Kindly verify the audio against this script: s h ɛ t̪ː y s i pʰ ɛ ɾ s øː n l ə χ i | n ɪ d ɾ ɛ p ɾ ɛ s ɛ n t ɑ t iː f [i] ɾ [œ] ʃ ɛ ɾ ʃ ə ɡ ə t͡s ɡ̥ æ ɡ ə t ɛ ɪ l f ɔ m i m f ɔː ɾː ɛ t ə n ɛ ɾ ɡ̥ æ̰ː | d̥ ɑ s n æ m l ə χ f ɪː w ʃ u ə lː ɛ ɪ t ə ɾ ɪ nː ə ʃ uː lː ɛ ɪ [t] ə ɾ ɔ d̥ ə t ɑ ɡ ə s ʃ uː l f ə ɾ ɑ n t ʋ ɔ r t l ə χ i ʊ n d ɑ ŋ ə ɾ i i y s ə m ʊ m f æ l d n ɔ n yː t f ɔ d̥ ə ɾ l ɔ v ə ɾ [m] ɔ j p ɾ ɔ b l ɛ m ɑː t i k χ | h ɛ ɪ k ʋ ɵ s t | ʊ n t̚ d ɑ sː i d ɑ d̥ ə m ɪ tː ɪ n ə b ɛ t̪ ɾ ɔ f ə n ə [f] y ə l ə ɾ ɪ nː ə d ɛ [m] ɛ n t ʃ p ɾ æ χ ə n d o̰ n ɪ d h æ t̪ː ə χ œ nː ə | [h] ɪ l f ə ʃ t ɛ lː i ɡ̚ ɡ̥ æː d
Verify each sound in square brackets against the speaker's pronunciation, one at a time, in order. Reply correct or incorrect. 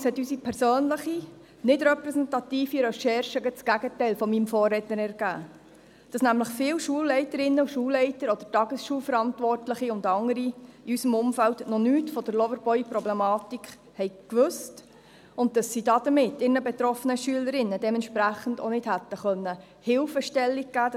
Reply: correct, incorrect, correct, incorrect, incorrect, correct, correct

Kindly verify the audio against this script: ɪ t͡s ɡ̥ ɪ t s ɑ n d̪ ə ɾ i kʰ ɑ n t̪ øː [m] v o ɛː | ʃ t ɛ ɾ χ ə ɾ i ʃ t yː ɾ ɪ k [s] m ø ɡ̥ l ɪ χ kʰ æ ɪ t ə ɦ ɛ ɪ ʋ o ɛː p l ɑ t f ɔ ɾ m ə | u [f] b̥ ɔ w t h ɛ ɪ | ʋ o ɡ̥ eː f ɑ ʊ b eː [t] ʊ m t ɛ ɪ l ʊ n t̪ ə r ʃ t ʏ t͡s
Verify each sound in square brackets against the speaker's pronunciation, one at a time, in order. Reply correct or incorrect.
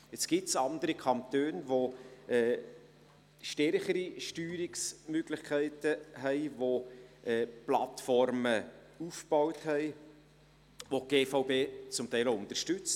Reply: incorrect, correct, correct, incorrect

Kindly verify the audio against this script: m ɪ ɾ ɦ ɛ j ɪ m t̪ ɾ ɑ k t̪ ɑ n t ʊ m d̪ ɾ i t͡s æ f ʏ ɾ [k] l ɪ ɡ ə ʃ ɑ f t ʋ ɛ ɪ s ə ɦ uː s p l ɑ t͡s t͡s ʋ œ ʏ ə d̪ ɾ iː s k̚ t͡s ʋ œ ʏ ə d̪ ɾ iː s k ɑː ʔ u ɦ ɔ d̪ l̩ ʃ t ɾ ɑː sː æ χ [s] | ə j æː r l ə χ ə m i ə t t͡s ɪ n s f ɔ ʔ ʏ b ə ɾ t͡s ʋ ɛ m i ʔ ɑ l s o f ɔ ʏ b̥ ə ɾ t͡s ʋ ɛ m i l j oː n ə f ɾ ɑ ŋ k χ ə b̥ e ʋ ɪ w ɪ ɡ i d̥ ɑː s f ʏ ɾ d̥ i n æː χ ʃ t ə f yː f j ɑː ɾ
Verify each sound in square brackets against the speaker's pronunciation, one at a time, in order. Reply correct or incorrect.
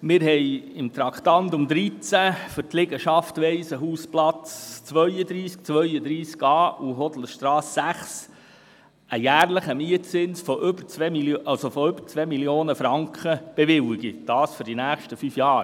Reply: incorrect, correct

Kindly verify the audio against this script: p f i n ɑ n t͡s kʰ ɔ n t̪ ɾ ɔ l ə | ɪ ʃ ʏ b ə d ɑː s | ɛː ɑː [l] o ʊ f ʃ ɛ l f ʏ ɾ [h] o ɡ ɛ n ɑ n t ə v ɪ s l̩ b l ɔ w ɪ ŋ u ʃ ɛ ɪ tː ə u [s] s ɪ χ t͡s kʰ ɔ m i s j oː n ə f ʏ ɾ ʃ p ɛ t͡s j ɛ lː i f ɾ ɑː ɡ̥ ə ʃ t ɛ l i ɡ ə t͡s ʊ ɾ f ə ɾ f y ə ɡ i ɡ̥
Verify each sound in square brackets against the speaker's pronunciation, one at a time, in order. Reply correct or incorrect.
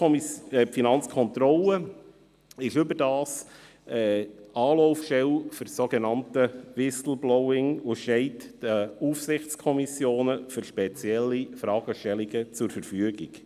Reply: correct, incorrect, incorrect

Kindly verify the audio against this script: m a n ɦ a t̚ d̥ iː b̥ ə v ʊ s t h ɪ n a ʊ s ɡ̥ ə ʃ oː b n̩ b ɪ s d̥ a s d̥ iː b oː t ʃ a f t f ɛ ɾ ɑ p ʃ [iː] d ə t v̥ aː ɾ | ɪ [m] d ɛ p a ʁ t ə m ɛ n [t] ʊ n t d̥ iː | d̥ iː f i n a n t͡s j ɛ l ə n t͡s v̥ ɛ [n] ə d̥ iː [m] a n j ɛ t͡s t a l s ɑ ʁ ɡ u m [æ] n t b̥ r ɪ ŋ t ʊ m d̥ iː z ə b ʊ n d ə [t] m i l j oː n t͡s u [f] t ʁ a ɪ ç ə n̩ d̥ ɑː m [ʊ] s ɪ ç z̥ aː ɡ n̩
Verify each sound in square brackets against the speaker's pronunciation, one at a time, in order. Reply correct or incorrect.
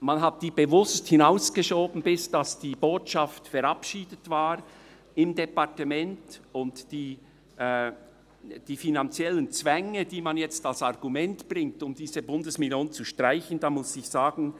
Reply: correct, correct, correct, incorrect, correct, incorrect, incorrect, incorrect, correct

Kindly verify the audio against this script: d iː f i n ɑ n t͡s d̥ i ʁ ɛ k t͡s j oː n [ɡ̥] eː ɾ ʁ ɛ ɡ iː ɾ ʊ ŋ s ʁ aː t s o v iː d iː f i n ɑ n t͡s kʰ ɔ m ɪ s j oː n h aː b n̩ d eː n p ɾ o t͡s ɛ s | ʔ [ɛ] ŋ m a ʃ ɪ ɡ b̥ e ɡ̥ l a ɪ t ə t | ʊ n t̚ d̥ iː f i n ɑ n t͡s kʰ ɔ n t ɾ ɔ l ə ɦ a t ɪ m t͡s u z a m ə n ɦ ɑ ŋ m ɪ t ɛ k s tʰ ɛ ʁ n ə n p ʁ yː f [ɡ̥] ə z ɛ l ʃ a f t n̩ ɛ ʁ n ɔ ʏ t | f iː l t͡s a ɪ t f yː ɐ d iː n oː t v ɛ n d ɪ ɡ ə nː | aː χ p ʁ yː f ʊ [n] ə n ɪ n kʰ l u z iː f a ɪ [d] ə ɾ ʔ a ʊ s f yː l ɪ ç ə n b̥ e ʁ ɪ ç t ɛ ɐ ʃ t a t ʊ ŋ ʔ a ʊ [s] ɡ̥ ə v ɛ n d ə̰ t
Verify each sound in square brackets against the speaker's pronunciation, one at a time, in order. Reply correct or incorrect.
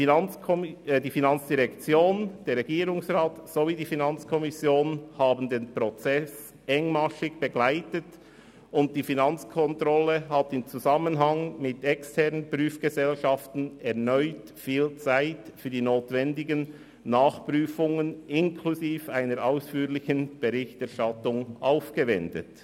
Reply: incorrect, correct, correct, incorrect, incorrect, incorrect

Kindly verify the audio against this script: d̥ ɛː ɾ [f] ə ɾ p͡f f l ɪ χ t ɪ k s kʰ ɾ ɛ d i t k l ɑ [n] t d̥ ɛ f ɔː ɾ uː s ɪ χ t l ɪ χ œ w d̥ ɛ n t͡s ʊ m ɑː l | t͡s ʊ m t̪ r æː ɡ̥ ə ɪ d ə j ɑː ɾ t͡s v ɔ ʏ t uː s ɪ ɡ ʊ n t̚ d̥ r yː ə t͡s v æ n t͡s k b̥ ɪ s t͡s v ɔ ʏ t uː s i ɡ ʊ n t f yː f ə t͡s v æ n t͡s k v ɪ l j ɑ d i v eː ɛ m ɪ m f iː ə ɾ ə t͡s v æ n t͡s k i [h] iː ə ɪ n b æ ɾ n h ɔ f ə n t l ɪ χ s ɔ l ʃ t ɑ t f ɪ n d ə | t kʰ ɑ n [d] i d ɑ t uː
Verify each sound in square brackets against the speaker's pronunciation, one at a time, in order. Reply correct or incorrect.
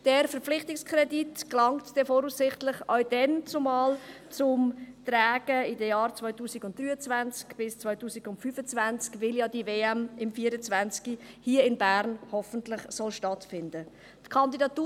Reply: correct, incorrect, correct, correct

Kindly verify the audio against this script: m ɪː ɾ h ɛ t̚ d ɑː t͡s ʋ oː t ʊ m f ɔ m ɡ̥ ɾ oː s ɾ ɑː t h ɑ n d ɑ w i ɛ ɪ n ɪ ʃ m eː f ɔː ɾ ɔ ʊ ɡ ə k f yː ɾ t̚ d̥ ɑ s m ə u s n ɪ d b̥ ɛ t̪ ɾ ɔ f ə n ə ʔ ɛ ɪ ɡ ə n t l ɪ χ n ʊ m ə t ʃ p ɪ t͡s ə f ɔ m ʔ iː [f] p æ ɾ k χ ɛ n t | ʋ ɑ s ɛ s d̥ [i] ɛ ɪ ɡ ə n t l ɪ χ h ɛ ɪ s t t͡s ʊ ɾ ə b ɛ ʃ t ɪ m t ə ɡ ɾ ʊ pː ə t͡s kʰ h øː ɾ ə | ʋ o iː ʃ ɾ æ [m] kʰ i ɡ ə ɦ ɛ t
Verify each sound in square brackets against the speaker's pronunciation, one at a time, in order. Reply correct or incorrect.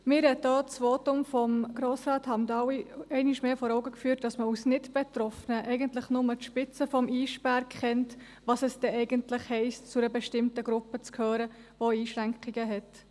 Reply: incorrect, incorrect, incorrect

